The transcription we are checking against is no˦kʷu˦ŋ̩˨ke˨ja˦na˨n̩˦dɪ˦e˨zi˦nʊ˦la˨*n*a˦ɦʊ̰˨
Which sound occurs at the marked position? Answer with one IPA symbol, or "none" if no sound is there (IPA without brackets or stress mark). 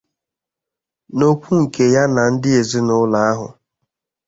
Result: none